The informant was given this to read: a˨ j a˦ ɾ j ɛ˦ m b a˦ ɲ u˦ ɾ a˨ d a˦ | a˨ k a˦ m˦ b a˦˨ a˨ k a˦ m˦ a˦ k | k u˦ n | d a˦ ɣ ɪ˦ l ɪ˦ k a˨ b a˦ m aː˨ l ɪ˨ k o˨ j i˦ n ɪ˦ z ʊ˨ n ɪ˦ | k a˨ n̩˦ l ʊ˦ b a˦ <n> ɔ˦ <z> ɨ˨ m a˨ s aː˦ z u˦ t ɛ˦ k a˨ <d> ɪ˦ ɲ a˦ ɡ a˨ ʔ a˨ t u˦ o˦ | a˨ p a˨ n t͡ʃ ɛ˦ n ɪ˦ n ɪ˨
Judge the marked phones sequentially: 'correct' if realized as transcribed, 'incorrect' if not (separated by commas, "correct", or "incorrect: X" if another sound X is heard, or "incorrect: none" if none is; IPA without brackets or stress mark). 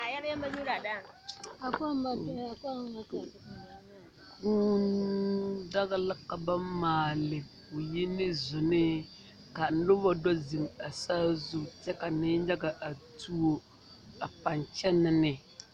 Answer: incorrect: d, correct, incorrect: n